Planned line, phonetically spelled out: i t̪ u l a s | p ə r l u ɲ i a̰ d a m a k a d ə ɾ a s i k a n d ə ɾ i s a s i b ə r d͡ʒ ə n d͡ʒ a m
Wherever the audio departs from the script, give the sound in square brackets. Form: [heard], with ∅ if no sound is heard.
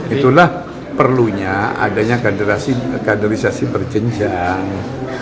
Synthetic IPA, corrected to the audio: i t̪ u l a [h] | p ə r l u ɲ [a] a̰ d a [ɲ] a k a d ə ɾ a s i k a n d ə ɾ i s a s i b ə r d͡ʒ ə [ɲ] d͡ʒ a [ŋ]